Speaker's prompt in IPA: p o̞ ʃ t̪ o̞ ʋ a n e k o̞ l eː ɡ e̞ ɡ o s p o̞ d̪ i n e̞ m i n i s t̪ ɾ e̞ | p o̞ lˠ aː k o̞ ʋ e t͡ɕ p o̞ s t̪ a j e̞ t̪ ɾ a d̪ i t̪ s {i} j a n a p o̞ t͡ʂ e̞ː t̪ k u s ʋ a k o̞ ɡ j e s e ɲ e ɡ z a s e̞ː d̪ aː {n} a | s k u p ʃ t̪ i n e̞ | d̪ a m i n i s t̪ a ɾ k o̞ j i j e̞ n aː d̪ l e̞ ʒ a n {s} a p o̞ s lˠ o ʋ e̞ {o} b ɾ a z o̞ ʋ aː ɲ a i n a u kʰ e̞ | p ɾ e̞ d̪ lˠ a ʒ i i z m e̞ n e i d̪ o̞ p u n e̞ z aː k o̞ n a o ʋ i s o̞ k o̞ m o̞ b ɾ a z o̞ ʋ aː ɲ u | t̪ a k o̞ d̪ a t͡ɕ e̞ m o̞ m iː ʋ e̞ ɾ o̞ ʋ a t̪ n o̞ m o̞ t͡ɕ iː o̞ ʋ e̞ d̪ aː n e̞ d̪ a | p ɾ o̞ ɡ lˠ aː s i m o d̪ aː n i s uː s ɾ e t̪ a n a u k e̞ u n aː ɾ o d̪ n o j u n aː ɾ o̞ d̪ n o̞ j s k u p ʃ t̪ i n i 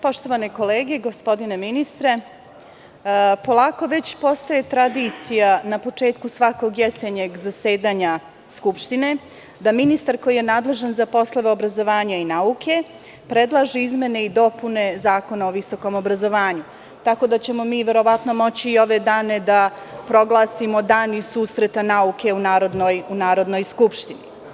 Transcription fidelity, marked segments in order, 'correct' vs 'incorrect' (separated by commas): correct, incorrect, incorrect, correct